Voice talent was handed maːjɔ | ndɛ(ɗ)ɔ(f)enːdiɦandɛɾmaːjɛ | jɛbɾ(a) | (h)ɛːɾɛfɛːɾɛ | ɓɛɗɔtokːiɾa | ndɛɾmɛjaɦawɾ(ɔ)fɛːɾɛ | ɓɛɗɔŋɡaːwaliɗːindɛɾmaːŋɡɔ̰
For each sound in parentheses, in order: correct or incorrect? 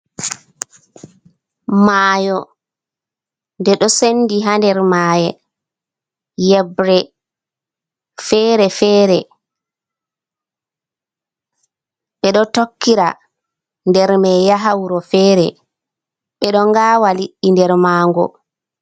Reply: correct, incorrect, incorrect, incorrect, correct

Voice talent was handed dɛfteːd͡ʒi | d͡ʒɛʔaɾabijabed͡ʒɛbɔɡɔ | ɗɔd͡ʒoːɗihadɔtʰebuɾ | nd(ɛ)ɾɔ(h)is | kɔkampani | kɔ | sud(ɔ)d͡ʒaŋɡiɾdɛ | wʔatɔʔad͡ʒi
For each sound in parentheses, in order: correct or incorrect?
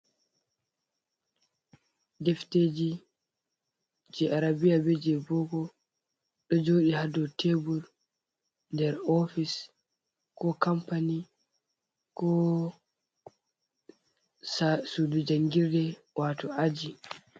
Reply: correct, incorrect, incorrect

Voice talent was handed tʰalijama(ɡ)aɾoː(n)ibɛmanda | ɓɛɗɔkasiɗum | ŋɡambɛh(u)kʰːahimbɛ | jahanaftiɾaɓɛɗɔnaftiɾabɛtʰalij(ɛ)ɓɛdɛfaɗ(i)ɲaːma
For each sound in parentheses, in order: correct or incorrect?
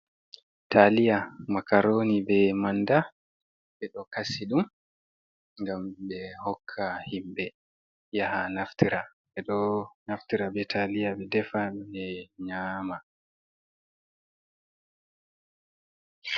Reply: incorrect, correct, incorrect, incorrect, incorrect

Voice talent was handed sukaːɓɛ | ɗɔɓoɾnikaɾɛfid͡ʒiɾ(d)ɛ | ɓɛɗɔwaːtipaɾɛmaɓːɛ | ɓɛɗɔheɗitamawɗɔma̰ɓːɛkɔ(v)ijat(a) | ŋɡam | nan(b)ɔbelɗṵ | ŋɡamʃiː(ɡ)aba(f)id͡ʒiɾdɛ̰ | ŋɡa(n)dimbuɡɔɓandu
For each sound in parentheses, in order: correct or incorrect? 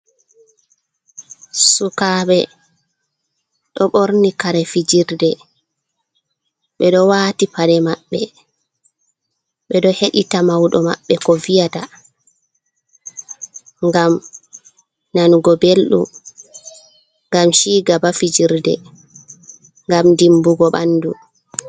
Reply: correct, correct, correct, incorrect, correct, correct, incorrect

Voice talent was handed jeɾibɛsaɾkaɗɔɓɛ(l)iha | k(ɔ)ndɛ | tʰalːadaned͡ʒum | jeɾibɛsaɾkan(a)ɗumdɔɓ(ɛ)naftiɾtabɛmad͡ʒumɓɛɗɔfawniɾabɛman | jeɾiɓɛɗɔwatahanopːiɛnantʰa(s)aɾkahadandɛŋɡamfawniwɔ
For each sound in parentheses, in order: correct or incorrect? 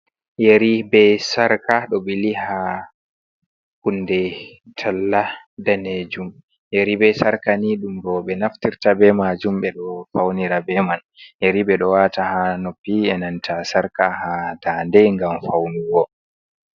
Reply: correct, incorrect, incorrect, correct, correct

